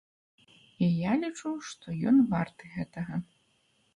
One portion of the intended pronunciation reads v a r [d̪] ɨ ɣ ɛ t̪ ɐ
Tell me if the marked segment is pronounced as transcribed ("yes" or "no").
no